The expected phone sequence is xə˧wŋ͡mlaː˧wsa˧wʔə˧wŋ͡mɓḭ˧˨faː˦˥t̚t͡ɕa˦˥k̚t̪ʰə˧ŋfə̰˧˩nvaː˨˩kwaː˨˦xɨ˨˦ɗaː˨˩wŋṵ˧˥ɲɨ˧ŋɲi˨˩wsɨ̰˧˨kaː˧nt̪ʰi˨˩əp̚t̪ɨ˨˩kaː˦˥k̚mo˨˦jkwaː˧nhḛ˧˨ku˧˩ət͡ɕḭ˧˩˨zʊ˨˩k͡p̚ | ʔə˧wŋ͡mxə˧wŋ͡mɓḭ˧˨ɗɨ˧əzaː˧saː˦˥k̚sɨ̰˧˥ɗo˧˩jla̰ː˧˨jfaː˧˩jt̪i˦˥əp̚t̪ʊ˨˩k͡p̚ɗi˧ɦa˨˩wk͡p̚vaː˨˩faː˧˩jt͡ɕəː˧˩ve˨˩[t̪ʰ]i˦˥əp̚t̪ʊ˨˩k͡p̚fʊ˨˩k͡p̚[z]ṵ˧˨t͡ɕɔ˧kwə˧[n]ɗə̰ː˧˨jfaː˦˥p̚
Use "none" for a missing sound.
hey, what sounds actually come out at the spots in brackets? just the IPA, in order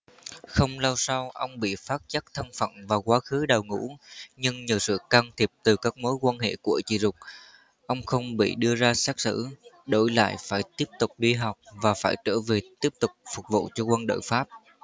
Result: t̪, v, n

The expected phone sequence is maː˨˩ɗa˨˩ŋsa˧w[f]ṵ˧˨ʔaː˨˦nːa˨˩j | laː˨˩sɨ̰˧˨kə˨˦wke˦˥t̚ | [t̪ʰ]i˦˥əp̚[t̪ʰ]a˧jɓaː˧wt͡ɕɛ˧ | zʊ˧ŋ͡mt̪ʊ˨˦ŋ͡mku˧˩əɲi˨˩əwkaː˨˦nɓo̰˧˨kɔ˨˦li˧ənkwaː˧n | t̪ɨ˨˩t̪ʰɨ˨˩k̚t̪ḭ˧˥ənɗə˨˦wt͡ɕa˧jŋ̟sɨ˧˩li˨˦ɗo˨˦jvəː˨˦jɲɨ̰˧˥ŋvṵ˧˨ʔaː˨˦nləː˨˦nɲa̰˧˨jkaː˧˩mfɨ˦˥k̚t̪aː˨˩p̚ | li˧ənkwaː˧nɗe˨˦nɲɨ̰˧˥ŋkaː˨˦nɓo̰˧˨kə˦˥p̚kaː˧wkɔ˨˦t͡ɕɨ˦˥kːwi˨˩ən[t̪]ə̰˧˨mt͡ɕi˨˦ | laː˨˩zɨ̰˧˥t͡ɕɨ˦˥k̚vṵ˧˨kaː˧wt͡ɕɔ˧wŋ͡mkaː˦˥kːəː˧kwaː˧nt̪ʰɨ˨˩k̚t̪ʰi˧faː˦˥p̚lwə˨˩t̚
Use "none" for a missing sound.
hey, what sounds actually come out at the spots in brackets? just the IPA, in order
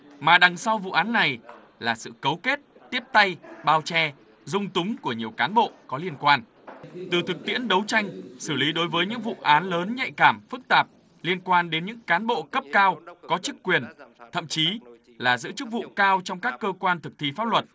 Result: v, t̪, t̪, t̪ʰ

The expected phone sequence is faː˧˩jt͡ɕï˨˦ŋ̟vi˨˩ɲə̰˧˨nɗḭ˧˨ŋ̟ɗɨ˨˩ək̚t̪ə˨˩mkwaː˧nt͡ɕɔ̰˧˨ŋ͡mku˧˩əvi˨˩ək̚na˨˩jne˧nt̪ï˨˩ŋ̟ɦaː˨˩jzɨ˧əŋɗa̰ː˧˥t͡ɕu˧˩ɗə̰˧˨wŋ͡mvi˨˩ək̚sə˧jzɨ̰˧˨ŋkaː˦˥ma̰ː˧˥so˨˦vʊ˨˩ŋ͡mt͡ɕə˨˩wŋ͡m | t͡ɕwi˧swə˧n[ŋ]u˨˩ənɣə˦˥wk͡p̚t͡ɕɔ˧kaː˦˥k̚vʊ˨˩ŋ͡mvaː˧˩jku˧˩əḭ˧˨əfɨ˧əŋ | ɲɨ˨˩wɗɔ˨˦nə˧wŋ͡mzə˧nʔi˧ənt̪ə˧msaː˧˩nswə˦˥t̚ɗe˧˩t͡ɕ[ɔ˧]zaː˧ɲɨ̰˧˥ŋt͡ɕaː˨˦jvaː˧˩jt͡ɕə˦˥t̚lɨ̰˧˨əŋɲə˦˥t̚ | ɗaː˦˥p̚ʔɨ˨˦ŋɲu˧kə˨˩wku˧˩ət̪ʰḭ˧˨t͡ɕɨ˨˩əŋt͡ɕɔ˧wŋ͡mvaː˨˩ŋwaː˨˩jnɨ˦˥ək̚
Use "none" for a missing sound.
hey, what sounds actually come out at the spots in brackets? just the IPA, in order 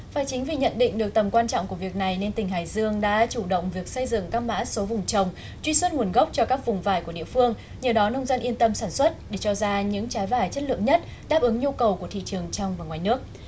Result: ŋ, ɔ˧

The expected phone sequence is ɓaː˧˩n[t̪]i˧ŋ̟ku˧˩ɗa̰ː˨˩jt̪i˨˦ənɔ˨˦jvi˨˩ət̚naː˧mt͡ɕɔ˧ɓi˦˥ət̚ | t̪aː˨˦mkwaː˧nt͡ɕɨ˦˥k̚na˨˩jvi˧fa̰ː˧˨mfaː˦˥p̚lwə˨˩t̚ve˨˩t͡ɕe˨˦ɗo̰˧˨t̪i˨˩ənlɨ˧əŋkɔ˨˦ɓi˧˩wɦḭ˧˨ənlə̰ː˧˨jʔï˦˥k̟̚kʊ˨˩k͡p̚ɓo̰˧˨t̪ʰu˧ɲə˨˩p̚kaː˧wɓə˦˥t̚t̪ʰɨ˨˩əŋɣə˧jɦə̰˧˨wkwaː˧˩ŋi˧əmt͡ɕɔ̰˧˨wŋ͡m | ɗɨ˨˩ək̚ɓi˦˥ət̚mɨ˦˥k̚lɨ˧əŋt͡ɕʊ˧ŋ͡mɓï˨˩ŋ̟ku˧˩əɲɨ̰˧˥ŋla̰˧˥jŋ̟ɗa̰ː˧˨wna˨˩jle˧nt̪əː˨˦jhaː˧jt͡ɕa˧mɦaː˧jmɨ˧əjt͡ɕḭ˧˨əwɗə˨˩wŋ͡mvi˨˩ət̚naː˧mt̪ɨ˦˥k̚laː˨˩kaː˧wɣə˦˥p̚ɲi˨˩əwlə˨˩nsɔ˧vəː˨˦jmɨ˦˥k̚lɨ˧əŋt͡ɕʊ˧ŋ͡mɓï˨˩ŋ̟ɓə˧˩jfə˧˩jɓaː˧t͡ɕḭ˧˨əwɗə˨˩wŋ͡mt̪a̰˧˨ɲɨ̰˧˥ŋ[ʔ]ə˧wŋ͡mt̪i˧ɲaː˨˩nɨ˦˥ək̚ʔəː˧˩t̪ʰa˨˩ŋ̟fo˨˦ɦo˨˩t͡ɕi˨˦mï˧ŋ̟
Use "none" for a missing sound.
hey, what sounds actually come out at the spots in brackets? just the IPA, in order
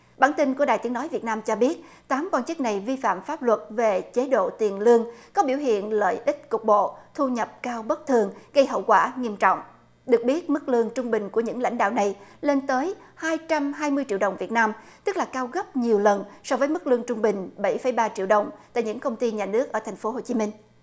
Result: t̪, k

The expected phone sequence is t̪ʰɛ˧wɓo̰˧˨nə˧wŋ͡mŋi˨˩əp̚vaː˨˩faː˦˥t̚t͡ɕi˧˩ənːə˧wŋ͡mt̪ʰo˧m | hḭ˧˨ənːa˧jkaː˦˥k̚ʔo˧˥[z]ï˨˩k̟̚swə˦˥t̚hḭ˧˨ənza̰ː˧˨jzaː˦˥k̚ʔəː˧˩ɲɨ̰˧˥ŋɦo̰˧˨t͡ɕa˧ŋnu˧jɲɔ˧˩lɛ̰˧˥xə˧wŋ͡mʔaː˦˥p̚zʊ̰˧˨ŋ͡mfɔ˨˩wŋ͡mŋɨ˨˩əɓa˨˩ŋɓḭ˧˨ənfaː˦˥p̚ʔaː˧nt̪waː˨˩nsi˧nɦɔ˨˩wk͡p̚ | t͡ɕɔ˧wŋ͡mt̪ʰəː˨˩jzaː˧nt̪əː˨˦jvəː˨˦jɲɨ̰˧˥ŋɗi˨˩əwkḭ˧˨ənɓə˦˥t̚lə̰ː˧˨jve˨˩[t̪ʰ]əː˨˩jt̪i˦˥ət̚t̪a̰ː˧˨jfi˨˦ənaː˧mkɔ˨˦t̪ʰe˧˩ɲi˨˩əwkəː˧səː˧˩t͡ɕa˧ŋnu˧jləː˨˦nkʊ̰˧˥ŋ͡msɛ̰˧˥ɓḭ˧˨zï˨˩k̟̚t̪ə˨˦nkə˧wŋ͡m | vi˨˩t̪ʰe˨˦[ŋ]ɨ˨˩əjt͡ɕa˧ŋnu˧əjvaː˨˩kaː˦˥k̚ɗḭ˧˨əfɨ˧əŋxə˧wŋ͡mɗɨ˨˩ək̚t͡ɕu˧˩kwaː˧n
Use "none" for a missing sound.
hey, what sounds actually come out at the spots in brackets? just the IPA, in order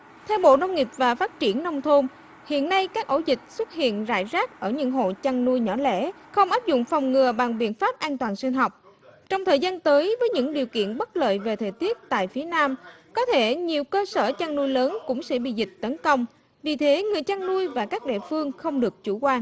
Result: z, t̪ʰ, ŋ

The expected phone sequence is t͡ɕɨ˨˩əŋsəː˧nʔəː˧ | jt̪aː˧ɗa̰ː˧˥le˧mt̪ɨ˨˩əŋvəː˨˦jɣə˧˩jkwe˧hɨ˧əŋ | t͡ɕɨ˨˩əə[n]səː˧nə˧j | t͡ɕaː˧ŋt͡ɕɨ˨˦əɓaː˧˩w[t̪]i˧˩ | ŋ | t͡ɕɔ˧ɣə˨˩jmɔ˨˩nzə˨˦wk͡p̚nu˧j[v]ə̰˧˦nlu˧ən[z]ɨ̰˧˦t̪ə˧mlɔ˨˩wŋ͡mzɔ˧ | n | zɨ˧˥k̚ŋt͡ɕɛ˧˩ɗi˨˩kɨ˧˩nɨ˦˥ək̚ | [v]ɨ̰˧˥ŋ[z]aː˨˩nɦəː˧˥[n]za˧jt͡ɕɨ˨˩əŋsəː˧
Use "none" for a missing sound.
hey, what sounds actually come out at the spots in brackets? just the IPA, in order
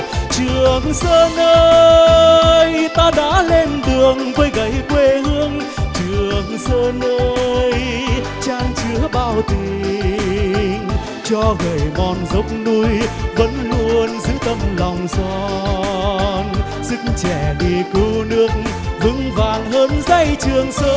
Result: ŋ, t̪, v, z, v, v, n

